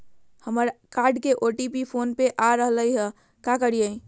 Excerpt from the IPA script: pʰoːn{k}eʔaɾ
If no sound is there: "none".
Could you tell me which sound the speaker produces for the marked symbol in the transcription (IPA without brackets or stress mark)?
p